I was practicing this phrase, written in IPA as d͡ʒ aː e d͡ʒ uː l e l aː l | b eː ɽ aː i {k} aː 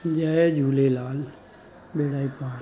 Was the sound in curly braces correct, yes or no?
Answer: no